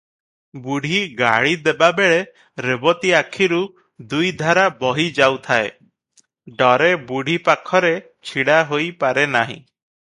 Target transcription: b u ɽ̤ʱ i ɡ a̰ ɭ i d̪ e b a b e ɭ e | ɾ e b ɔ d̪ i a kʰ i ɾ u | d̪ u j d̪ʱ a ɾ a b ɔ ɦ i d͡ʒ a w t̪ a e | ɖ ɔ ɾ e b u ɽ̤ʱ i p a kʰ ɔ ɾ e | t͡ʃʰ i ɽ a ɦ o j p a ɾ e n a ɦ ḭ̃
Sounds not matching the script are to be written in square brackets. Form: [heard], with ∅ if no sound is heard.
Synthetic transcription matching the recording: b u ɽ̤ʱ i ɡ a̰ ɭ i d̪ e b a b e ɭ e | ɾ e b ɔ [t̪] i a kʰ i ɾ u | d̪ u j d̪ʱ a ɾ a b ɔ ɦ i d͡ʒ a w [t̪ʰ] a e | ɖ ɔ ɾ e b u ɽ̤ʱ i p a kʰ ɔ ɾ e | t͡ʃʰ i ɽ a ɦ o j p a ɾ e n a ɦ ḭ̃